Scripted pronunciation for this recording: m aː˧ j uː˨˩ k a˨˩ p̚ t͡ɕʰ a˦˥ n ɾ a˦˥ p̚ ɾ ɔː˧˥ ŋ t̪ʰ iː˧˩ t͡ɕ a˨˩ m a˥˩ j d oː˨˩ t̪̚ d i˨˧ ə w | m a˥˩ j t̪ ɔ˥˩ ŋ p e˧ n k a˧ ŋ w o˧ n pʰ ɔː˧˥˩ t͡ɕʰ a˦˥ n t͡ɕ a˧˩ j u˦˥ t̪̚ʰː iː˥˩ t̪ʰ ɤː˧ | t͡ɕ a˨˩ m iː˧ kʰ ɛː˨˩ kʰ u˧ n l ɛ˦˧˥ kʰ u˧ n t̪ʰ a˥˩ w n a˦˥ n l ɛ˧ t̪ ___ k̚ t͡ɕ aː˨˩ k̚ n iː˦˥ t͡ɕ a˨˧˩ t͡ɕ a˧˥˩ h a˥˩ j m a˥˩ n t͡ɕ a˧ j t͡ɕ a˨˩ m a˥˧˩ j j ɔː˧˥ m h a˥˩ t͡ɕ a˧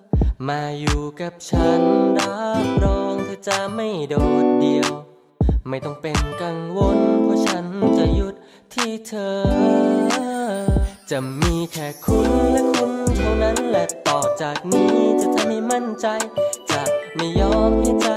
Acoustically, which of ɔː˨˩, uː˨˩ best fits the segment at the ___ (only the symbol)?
ɔː˨˩